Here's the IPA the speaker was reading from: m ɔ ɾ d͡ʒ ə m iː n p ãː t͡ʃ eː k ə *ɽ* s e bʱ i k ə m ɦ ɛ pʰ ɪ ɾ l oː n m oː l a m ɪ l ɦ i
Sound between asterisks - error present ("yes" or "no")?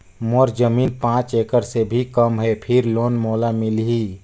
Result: yes